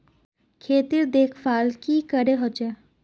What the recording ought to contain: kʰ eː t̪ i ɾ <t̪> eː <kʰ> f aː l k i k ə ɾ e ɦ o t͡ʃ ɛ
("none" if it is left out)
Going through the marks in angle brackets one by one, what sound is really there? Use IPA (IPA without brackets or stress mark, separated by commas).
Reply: d̪, kʰ